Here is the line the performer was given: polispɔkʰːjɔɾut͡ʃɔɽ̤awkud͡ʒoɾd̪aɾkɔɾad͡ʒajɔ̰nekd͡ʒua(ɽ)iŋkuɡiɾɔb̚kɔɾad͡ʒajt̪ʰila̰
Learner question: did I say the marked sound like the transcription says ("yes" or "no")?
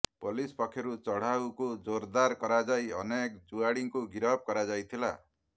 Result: yes